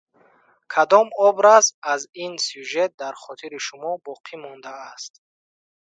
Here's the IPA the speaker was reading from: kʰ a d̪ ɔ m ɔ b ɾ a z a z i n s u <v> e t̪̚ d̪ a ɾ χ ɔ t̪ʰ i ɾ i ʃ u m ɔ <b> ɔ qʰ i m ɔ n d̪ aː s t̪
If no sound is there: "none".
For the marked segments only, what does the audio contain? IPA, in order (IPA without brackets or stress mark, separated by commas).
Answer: ʒ, b